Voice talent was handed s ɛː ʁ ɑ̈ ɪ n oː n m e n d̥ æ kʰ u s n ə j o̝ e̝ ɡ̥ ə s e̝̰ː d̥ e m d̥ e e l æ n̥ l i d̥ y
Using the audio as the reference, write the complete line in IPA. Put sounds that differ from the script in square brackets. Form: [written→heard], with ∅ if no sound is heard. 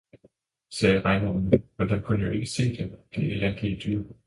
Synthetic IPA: s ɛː ʁ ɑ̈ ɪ n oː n m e n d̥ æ kʰ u [s→∅] n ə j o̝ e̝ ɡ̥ ə s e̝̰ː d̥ e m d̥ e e l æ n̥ l i d̥ y